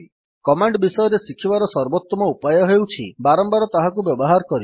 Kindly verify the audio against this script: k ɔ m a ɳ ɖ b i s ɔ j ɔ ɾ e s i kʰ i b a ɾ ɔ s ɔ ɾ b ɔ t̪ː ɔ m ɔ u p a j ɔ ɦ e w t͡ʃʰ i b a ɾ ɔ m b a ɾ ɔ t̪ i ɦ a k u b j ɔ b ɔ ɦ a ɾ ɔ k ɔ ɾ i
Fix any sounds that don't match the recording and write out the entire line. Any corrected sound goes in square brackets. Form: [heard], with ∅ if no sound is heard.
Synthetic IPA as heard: k ɔ m a ɳ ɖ b i s ɔ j ɔ ɾ e s i kʰ i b a ɾ ɔ s ɔ ɾ b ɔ t̪ː ɔ m ɔ u p a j ɔ ɦ e w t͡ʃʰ i b a ɾ ɔ m b a ɾ ɔ t̪ [a] ɦ a k u b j ɔ b ɔ ɦ a ɾ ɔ k ɔ ɾ i